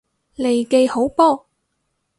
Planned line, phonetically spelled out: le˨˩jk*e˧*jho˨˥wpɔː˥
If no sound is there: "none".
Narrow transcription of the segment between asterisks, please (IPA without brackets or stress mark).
e˧